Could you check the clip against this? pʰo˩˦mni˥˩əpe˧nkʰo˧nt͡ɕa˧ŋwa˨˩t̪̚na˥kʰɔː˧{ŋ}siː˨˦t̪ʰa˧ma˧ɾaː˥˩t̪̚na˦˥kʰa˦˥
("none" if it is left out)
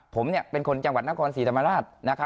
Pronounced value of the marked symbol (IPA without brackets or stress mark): n